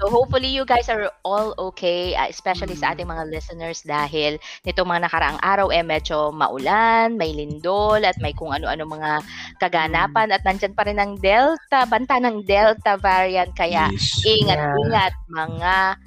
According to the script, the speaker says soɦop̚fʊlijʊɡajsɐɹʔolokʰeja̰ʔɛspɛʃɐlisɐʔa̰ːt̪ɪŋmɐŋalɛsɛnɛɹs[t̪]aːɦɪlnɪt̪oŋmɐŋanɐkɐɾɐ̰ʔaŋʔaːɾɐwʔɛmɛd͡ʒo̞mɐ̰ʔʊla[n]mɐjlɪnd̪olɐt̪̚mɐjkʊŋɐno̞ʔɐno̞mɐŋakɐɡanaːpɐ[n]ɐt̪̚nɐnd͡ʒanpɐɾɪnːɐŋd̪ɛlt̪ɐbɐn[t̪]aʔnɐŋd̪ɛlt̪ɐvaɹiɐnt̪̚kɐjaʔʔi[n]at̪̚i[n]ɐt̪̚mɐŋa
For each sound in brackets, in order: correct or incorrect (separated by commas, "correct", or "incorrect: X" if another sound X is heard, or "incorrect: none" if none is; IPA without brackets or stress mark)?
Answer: incorrect: d̪, correct, correct, correct, incorrect: ŋ, incorrect: ŋ